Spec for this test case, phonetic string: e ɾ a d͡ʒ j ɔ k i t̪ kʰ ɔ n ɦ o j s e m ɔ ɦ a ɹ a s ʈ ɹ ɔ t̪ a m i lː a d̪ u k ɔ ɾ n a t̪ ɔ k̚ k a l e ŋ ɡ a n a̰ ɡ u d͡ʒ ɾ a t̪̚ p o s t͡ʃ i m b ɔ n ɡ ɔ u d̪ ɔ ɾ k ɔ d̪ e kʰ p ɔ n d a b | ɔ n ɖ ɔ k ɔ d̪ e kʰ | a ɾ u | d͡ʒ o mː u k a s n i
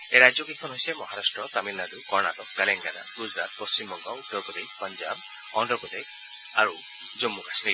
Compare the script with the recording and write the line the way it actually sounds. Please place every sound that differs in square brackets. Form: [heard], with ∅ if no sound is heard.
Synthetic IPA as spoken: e ɾ a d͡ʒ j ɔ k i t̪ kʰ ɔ n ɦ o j s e m ɔ ɦ a [ɾ] a s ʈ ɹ ɔ t̪ a m i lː a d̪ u k ɔ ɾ n a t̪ ɔ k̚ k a l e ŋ ɡ a n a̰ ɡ u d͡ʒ ɾ a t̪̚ p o s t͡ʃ i m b ɔ [ŋ] ɡ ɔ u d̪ ɔ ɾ k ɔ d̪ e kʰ p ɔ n [d͡ʒ] a b | ɔ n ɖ ɔ k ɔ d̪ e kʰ | a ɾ u | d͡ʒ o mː u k a s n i